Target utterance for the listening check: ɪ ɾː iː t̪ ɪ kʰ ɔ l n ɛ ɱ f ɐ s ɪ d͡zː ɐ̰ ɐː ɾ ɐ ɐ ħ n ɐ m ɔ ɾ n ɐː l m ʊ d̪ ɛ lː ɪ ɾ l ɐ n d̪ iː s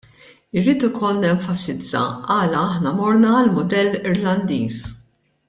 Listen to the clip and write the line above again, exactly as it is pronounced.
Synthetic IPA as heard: ɪ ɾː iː t̪ ɪ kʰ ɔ l n ɛ ɱ f ɐ s ɪ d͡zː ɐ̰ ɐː l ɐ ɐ ħ n ɐ m ɔ ɾ n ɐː l m ʊ d̪ ɛ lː ɪ ɾ l ɐ n d̪ iː s